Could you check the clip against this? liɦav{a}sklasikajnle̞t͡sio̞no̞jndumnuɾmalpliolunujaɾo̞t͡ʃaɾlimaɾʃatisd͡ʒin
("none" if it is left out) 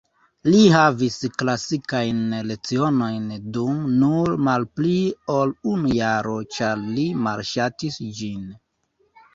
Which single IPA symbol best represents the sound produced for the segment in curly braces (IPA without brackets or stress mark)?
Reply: i